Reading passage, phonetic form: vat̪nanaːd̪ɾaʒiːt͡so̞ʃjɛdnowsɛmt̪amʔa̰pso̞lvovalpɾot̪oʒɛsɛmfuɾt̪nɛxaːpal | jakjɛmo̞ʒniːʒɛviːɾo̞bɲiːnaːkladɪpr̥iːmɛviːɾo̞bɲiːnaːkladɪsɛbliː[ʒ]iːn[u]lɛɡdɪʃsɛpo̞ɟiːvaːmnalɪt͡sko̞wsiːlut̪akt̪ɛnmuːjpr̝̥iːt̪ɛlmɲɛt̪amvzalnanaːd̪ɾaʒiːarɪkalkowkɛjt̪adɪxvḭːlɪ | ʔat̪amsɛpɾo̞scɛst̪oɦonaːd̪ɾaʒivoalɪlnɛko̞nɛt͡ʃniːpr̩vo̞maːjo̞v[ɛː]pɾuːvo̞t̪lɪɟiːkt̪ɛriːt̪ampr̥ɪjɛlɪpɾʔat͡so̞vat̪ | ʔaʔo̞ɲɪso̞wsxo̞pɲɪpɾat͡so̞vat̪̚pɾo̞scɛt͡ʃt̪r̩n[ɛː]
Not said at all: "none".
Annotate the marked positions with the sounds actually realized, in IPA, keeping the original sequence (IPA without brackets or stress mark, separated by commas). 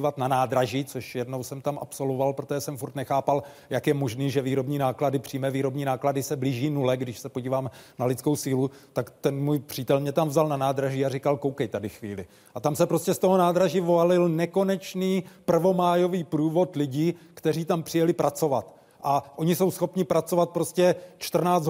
ʒ, u, iː, aː